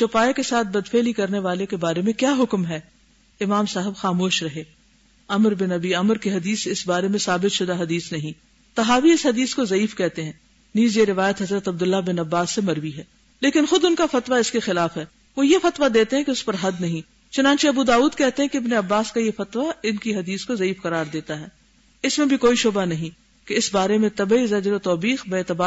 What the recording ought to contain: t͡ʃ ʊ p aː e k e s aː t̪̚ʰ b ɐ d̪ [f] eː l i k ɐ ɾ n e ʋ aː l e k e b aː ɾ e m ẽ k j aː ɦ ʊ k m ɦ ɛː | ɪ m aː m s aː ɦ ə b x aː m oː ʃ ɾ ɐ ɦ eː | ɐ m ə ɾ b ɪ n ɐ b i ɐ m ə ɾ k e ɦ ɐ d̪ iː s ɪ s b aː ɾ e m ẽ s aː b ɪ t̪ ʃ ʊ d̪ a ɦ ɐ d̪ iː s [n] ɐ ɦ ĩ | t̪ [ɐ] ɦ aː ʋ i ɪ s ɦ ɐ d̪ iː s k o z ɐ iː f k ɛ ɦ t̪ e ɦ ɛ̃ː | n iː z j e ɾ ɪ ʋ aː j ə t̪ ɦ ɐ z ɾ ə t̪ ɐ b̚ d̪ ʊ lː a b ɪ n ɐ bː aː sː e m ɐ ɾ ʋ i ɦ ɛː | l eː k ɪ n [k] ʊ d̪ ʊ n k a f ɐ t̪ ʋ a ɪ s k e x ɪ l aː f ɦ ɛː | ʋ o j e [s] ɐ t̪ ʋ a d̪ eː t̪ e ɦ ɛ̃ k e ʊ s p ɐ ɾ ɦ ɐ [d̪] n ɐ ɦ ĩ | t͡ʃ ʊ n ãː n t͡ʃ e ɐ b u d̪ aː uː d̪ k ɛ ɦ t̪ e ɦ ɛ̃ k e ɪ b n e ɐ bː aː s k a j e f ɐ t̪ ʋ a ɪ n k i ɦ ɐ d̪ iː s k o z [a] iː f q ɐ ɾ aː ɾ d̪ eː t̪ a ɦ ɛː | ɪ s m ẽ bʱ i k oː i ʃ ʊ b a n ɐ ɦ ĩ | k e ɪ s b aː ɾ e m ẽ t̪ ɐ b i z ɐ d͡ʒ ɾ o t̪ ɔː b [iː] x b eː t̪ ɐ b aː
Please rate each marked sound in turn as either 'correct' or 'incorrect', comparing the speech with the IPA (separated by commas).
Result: correct, correct, correct, incorrect, incorrect, correct, incorrect, correct